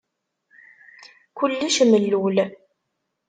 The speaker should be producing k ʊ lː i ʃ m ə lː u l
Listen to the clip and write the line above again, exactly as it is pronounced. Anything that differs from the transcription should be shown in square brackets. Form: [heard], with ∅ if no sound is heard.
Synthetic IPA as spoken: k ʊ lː i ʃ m ə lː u l